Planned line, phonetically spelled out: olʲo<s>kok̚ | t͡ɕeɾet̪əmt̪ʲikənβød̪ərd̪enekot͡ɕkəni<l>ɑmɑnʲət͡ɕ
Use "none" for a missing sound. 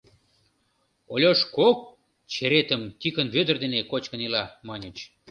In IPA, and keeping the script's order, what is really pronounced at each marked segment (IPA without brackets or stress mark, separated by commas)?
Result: ʃ, l